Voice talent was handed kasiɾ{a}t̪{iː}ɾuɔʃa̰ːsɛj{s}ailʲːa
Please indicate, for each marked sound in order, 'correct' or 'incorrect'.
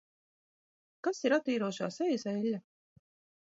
correct, correct, correct

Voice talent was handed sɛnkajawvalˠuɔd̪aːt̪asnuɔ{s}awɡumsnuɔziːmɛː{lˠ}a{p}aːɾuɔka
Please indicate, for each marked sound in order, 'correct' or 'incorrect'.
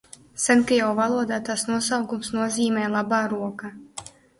correct, correct, incorrect

